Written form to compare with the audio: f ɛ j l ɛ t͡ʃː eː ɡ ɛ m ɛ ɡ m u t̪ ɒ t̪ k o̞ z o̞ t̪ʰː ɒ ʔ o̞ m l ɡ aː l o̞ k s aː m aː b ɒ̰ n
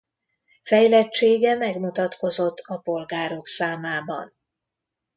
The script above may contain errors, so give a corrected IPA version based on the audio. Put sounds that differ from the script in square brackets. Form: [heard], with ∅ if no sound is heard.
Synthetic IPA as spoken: f ɛ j l ɛ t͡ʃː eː ɡ ɛ m ɛ ɡ m u t̪ ɒ t̪ k o̞ z o̞ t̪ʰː ɒ [p] o̞ [∅] l ɡ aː [ɾ] o̞ k s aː m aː b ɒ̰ n